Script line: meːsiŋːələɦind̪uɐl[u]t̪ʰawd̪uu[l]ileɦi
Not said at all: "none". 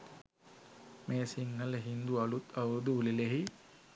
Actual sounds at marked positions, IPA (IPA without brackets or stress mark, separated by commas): u, l